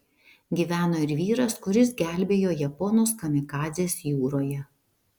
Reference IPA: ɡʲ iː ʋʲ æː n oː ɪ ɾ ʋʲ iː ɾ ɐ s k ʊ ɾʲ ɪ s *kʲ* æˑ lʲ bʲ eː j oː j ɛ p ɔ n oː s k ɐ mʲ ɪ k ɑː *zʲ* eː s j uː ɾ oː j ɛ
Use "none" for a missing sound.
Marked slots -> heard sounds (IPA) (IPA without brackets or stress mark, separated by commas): ɡʲ, zʲ